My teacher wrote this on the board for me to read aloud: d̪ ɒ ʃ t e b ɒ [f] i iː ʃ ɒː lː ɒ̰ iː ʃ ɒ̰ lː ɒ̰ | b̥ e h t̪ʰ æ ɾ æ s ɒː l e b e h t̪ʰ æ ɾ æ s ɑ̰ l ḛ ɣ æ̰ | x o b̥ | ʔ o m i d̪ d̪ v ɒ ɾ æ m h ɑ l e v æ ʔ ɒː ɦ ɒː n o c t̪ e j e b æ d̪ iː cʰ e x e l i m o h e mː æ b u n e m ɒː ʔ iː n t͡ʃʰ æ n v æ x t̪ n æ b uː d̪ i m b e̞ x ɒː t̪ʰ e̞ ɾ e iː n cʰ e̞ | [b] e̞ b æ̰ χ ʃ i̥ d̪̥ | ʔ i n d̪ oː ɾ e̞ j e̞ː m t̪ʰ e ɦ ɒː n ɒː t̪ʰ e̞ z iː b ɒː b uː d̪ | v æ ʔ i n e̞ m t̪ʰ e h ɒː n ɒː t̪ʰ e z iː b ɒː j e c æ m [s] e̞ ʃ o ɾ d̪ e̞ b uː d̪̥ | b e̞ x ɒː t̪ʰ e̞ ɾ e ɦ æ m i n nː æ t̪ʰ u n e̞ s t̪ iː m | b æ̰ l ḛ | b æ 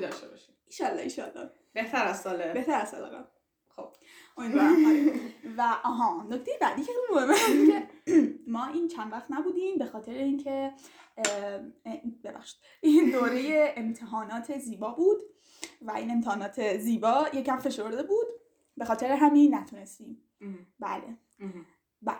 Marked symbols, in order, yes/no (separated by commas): no, yes, no